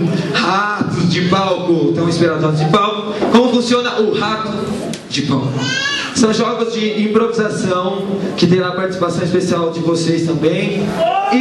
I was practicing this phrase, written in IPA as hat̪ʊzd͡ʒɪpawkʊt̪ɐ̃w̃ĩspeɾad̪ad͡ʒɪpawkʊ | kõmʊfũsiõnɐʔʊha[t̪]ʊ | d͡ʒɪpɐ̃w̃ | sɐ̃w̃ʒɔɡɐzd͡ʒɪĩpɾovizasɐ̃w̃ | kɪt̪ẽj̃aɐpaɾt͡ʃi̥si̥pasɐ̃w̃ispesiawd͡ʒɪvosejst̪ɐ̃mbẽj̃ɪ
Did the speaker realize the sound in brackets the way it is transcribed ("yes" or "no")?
yes